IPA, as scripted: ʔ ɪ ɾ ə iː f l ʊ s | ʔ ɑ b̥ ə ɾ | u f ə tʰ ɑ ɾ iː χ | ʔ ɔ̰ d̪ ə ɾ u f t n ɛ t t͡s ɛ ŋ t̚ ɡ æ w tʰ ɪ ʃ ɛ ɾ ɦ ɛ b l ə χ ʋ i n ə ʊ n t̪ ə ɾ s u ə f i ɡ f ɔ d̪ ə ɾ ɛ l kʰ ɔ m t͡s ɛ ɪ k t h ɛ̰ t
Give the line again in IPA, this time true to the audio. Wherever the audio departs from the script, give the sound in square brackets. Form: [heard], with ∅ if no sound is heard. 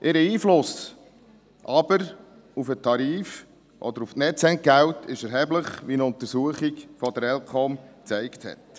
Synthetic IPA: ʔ ɪ ɾ ə iː f l ʊ s | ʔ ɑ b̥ ə ɾ | u f ə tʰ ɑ ɾ iː [f] | ʔ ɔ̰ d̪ ə ɾ u f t n ɛ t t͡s ɛ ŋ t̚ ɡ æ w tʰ ɪ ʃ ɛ ɾ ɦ ɛ b l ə χ ʋ i n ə ʊ n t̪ ə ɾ s u ə [χ] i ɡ f ɔ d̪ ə ɾ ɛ l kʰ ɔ m t͡s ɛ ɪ k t h ɛ̰ t